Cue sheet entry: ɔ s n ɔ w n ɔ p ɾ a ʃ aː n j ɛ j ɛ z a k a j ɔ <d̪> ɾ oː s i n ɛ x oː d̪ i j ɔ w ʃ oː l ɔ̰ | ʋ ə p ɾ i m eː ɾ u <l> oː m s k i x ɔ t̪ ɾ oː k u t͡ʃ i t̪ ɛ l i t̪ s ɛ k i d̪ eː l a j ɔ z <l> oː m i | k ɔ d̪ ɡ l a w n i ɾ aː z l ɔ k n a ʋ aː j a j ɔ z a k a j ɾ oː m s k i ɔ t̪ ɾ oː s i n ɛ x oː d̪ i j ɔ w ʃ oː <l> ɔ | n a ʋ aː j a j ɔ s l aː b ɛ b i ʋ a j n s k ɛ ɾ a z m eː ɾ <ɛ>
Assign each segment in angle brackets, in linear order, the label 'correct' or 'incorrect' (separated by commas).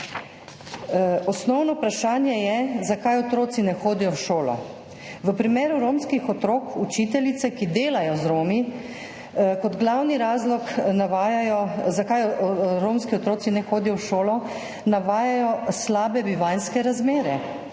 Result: incorrect, incorrect, incorrect, correct, correct